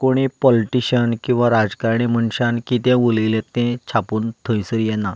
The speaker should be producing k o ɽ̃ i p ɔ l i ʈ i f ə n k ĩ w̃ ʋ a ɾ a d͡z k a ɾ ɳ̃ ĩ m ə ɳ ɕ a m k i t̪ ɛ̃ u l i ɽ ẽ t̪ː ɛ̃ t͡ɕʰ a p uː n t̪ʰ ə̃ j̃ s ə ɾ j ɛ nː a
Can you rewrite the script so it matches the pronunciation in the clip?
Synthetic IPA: k o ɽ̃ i p ɔ l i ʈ i ɕ ə n k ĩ w̃ ʋ a ɾ a d͡z k a ɾ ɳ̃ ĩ m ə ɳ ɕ a n k i t̪ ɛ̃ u l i l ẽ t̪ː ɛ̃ t͡ɕʰ a p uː n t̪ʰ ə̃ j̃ s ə ɾ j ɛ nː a